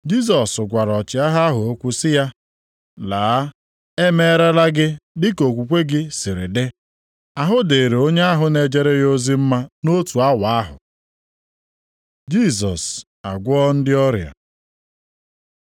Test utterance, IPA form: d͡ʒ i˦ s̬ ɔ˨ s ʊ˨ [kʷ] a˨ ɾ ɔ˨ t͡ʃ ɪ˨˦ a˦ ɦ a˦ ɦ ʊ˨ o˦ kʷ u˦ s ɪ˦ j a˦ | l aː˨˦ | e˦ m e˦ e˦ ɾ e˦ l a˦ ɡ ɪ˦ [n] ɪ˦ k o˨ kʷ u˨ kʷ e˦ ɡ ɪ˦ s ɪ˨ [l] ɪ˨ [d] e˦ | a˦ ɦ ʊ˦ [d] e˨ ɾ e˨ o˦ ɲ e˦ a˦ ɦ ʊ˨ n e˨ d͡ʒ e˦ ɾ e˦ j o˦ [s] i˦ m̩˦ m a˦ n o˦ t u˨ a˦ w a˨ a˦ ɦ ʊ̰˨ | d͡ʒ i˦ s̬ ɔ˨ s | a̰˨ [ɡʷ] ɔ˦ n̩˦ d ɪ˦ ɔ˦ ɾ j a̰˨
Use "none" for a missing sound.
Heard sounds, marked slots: ɡʷ, d, ɾ, d, d, z, ɡʷ

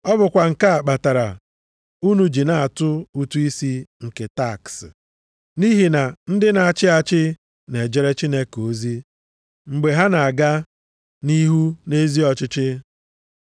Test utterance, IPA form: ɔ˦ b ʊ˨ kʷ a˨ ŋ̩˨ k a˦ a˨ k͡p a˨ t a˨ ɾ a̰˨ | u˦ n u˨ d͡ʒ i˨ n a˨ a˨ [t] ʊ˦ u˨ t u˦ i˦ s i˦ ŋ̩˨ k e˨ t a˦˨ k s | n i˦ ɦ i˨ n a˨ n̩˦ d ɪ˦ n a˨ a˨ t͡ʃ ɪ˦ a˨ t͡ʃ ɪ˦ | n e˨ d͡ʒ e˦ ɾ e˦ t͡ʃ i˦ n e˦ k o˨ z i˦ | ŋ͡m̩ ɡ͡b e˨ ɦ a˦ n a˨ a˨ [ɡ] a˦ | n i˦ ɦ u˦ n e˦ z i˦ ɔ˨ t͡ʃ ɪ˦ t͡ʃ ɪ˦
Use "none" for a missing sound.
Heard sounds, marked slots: t, ɡ

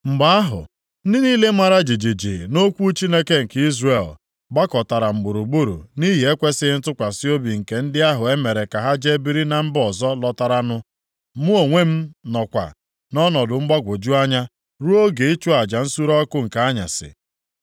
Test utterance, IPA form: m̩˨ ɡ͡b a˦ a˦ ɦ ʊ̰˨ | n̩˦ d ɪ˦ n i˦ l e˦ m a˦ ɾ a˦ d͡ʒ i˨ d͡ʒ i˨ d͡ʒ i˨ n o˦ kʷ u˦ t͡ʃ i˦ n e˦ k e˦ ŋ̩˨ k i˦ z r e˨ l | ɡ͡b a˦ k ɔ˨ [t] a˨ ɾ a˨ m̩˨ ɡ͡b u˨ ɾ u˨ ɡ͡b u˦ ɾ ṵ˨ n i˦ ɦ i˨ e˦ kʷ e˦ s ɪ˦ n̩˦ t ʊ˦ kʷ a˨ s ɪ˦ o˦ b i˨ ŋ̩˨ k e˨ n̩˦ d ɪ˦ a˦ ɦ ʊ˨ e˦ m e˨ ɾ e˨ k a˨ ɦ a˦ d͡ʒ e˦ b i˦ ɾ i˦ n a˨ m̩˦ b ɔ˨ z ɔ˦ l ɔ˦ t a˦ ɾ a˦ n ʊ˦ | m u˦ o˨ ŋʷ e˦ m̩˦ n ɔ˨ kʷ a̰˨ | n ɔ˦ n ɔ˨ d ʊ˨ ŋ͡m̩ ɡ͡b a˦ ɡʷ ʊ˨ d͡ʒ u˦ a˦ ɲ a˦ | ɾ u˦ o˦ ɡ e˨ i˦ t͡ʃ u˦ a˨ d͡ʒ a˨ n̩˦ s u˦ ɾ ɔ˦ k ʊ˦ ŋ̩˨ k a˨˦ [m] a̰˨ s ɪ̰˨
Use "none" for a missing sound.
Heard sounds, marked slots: t, ɲ

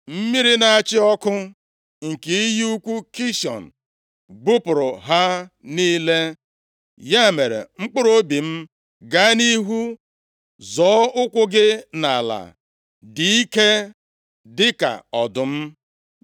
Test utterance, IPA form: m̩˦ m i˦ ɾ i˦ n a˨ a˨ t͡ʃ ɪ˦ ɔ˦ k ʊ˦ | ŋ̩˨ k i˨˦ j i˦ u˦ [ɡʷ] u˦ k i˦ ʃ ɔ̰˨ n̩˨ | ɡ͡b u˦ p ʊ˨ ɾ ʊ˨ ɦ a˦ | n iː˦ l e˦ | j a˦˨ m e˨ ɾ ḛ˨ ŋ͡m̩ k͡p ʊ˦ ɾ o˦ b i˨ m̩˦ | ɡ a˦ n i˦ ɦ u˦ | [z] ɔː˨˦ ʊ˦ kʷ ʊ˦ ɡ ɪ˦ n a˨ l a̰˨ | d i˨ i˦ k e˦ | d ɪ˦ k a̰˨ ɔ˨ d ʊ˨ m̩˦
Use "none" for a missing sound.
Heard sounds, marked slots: kʷ, z

